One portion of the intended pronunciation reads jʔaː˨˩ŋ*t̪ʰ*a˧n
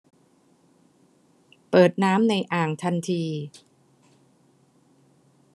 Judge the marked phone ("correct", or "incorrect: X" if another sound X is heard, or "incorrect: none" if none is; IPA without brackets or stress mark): correct